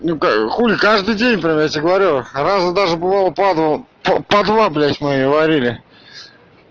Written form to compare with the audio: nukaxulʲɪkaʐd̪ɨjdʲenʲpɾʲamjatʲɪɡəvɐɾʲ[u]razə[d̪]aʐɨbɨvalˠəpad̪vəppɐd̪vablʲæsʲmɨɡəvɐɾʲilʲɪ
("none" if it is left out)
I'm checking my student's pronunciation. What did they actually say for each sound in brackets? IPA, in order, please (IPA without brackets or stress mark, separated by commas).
u, d̪